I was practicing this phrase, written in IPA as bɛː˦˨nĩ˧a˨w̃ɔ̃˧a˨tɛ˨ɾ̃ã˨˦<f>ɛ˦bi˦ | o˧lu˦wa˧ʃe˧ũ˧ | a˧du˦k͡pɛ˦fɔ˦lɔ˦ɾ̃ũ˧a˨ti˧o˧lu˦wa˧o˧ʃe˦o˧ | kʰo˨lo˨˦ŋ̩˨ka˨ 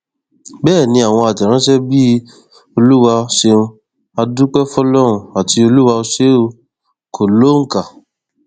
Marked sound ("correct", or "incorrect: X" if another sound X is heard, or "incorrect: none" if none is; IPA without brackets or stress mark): incorrect: ʃ